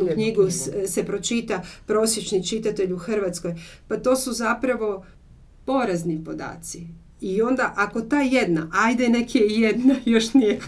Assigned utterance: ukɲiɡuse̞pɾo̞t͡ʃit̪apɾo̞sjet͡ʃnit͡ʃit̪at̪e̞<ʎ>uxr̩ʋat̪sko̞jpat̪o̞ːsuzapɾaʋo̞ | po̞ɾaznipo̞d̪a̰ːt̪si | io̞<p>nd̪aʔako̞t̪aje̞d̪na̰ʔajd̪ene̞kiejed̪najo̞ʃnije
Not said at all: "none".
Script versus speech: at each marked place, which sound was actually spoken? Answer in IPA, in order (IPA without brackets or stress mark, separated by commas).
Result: ʎ, none